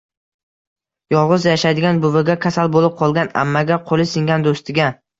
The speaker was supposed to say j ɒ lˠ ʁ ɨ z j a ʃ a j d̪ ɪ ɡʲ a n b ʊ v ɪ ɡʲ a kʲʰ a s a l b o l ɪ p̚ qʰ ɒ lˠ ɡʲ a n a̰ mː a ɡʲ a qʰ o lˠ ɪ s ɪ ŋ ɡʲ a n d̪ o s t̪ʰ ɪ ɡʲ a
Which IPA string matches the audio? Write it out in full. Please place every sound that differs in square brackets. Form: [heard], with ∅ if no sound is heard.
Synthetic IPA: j ɒ lˠ ʁ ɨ z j a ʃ a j d̪ ɪ ɡʲ a n b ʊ v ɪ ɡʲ a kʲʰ a s a l b o l ɪ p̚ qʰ ɒ lˠ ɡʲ a n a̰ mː a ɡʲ a qʰ o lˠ ɪ s ɪ ŋ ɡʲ a n d̪ o s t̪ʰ ɪ ɡʲ a